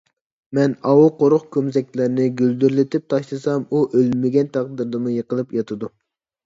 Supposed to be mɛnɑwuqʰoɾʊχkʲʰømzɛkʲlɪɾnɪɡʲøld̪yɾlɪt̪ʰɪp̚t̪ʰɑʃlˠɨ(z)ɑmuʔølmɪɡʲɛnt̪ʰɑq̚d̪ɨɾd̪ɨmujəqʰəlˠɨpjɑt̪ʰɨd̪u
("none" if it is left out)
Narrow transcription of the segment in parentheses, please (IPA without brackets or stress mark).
s